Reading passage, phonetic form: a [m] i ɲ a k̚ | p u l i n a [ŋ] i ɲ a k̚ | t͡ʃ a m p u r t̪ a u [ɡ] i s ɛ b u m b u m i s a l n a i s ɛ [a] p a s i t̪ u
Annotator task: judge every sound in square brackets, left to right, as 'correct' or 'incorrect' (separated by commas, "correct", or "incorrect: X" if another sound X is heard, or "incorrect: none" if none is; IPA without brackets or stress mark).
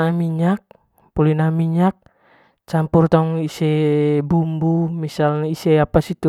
correct, incorrect: m, incorrect: ŋ, correct